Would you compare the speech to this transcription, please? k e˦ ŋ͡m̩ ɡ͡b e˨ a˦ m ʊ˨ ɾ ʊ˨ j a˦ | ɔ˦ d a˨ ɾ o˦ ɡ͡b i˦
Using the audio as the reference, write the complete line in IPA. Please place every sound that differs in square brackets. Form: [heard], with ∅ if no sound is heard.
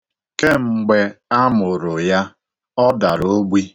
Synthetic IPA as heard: k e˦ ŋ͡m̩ ɡ͡b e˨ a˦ m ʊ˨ ɾ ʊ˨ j a˦ | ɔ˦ d a˨ ɾ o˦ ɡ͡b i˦